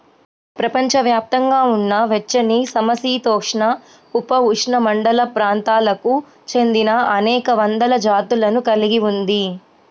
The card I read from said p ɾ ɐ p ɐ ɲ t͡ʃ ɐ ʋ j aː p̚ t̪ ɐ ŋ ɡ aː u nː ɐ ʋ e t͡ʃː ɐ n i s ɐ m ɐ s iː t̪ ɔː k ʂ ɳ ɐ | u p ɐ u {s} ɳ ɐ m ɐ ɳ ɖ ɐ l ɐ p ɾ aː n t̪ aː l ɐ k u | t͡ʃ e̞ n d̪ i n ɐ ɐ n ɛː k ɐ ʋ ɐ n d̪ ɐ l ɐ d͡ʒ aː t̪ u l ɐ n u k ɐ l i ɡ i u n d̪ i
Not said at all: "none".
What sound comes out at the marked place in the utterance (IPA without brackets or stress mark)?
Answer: ʂ